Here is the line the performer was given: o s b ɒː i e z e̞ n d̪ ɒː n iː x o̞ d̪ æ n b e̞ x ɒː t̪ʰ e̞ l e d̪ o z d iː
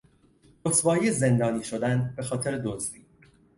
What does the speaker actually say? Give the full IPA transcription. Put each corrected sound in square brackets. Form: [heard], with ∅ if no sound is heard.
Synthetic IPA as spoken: o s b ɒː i e z e̞ n d̪ ɒː n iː [ʃ] o̞ d̪ æ n b e̞ x ɒː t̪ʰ e̞ [ɾ] e d̪ o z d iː